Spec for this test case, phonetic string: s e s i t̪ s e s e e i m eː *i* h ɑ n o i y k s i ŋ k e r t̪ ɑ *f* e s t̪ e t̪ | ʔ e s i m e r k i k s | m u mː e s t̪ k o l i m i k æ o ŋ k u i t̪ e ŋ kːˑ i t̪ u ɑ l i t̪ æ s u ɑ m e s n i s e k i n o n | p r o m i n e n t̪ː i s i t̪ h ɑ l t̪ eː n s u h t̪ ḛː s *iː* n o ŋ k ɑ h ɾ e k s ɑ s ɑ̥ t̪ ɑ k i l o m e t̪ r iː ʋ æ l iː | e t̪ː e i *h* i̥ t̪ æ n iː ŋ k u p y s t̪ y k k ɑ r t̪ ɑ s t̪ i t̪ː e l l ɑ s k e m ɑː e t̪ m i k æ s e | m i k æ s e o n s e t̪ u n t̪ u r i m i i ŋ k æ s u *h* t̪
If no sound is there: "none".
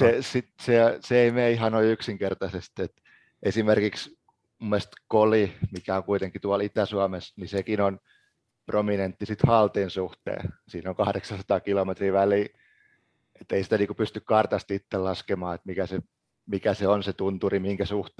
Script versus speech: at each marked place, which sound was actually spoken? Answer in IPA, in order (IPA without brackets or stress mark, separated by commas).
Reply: i, s, iː, s, h